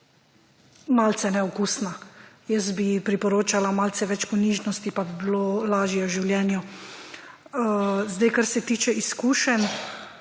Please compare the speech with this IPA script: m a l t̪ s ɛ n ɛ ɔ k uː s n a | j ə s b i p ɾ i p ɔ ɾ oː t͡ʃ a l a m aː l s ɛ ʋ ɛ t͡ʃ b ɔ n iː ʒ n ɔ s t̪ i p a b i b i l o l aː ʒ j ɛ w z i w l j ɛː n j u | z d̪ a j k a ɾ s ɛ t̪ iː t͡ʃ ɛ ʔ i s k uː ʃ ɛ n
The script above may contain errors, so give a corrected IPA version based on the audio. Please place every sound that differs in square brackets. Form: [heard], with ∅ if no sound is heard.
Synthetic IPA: m a l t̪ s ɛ n ɛ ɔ k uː s n a | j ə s b i p ɾ i p ɔ ɾ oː t͡ʃ a l a m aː l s ɛ ʋ ɛ t͡ʃ [p] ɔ n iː ʒ n ɔ s t̪ i p a b i b i l o l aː ʒ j ɛ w [ʒ] i w l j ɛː n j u | z d̪ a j k a ɾ s ɛ t̪ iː t͡ʃ ɛ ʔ i s k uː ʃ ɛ n